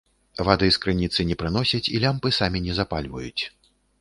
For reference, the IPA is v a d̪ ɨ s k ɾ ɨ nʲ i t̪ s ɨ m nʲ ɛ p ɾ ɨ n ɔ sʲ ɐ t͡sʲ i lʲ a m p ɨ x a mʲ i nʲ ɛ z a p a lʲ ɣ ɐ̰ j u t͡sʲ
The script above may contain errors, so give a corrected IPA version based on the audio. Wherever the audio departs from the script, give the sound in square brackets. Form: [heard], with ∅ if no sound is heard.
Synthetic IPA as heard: v a d̪ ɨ s k ɾ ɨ nʲ i t̪ s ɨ [∅] nʲ ɛ p ɾ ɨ n ɔ sʲ ɐ t͡sʲ i lʲ a m p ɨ [s] a mʲ i nʲ ɛ z a p a lʲ [v] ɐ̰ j u t͡sʲ

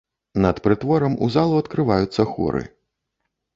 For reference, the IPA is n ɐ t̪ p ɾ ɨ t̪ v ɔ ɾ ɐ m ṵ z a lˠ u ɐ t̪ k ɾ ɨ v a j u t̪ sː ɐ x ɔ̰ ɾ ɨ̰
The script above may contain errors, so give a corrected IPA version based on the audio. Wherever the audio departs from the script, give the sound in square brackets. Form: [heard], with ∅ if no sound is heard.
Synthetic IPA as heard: n ɐ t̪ p ɾ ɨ t̪ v ɔ ɾ ɐ m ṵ z a lˠ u ɐ t̪ k ɾ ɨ v a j u t̪ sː ɐ x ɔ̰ ɾ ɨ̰

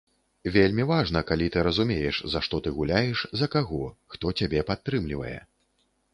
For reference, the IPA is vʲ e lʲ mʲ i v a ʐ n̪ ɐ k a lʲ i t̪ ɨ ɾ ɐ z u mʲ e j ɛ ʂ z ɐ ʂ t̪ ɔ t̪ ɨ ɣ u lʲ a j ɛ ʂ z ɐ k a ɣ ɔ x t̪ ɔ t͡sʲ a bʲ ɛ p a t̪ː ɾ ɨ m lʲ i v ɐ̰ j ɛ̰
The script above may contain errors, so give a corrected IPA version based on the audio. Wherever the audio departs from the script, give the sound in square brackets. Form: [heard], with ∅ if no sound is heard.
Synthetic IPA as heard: vʲ e lʲ mʲ i v a ʐ n̪ ɐ k a lʲ i t̪ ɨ ɾ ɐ z u mʲ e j ɛ ʂ z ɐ ʂ t̪ ɔ t̪ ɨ ɣ u lʲ a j ɛ ʂ z ɐ k a ɣ ɔ x t̪ ɔ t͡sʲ a bʲ ɛ p a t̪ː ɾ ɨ m lʲ i v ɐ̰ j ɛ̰

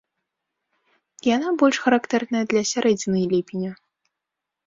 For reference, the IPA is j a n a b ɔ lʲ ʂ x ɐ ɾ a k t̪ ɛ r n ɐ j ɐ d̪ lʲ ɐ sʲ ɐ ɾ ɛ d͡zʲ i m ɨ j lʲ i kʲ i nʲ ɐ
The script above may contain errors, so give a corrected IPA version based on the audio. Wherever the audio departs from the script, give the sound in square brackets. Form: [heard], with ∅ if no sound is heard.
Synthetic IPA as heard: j a n a b ɔ lʲ ʂ x ɐ ɾ a k t̪ ɛ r n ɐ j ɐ d̪ lʲ ɐ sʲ [a] ɾ ɛ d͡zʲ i [n] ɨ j lʲ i [pʲ] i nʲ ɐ

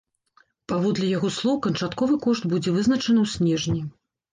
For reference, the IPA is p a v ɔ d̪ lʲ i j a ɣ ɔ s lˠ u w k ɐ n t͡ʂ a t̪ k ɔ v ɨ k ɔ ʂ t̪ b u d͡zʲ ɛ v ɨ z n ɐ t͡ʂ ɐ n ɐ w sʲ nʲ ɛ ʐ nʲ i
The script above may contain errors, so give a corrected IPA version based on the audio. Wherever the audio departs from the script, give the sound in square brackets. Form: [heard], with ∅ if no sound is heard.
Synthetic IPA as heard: p a v ɔ d̪ lʲ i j a ɣ ɔ s lˠ [ɔ] w k ɐ n t͡ʂ a t̪ k ɔ v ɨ k ɔ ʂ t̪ b u d͡zʲ ɛ v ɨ z n ɐ t͡ʂ ɐ n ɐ w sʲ nʲ ɛ ʐ nʲ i

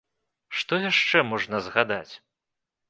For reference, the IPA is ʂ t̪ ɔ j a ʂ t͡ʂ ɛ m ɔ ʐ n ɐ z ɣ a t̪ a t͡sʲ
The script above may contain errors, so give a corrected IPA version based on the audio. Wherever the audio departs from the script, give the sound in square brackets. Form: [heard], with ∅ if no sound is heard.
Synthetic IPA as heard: ʂ t̪ ɔ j a ʂ t͡ʂ ɛ m ɔ ʐ n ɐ z ɣ a [d̪] a t͡sʲ

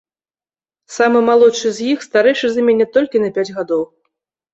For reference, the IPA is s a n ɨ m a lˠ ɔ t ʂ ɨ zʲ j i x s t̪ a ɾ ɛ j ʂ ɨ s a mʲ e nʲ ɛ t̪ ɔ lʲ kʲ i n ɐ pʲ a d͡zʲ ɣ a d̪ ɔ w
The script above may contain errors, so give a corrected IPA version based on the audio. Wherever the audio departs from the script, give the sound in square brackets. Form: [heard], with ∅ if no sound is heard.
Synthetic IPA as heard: s a [m] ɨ m a lˠ ɔ t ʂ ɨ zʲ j i x s t̪ a ɾ ɛ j ʂ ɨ [z] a mʲ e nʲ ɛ t̪ ɔ lʲ kʲ i n ɐ pʲ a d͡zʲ ɣ a d̪ ɔ w

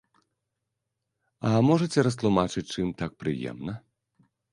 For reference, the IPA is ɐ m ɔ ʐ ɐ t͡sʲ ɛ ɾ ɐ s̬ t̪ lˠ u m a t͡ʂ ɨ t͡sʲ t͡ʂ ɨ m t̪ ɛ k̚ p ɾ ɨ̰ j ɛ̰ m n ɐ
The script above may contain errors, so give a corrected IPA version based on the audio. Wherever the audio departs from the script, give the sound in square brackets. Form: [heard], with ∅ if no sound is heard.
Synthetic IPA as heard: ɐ m ɔ ʐ ɐ t͡sʲ ɛ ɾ ɐ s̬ t̪ lˠ u m a t͡ʂ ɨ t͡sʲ t͡ʂ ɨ m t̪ [a] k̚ p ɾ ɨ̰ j ɛ̰ m n ɐ

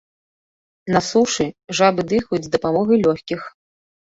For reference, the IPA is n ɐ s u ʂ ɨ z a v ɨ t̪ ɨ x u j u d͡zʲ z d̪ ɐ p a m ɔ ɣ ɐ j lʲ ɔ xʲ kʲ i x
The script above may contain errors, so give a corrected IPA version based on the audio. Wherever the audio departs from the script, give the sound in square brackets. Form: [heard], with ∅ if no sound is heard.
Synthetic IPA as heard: n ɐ s u ʂ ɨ [ʐ] a [b] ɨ [d̪] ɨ x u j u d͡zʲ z d̪ ɐ p a m ɔ ɣ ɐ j lʲ ɔ xʲ kʲ i x

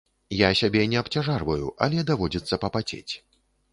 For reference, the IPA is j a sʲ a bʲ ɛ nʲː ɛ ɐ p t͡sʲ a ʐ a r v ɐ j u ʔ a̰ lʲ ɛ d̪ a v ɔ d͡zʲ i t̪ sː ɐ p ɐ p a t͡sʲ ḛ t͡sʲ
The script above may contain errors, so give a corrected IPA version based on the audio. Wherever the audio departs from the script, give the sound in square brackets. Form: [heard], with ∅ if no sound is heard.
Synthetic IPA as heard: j a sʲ a bʲ ɛ [nʲ] ɛ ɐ p t͡sʲ a ʐ a r v ɐ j u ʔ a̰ lʲ ɛ d̪ a v ɔ d͡zʲ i t̪ sː ɐ p ɐ p a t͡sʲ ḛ t͡sʲ

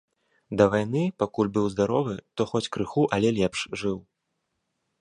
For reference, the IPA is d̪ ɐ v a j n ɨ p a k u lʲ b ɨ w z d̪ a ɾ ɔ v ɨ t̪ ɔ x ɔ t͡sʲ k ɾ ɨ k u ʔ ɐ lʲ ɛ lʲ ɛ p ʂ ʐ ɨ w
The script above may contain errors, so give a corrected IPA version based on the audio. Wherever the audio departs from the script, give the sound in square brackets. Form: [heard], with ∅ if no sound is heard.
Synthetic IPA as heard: d̪ ɐ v a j n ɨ p a k u lʲ b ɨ w z d̪ a ɾ ɔ v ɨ t̪ ɔ x ɔ t͡sʲ k ɾ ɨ [x] u ʔ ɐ lʲ ɛ lʲ ɛ p ʂ ʐ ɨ w

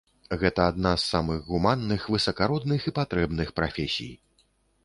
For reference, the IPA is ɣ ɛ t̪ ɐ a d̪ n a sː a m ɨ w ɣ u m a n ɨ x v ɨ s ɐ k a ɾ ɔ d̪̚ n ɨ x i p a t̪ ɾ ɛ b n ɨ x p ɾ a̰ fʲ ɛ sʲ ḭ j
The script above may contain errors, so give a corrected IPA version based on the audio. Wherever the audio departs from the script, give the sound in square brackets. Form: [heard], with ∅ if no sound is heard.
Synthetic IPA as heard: ɣ ɛ t̪ ɐ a d̪ n a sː a m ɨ [ɣ] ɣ u m a [nː] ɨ x v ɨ s ɐ k a ɾ ɔ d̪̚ n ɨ x i p a t̪ ɾ ɛ b n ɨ x p ɾ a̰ fʲ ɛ sʲ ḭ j

